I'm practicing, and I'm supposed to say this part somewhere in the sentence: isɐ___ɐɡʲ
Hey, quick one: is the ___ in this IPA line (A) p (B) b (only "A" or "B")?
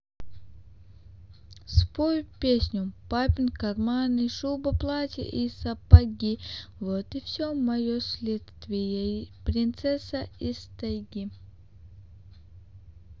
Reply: A